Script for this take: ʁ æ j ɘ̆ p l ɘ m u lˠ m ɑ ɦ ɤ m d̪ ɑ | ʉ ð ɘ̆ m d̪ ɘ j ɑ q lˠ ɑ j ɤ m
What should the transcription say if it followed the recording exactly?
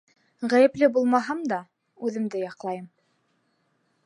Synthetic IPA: ʁ æ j ɘ̆ p l ɘ b u lˠ m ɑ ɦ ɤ m d̪ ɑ | ʉ ð ɘ̆ m d̪ ɘ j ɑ q lˠ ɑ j ɤ m